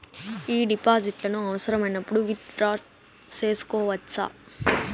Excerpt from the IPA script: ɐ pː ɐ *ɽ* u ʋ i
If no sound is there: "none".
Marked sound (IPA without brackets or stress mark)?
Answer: ɽ